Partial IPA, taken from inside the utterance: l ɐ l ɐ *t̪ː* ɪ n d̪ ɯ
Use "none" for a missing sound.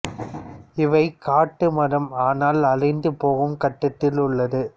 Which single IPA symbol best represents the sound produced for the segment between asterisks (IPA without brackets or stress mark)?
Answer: none